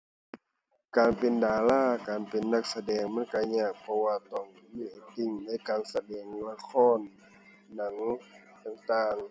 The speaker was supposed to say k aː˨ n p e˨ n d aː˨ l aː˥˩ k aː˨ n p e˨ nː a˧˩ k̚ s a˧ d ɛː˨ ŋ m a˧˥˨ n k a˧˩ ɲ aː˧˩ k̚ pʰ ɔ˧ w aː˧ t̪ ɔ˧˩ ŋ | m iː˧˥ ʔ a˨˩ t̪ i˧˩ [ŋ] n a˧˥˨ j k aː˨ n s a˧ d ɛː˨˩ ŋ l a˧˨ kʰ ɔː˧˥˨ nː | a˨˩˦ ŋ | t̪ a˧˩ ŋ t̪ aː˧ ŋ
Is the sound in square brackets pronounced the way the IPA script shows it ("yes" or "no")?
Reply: yes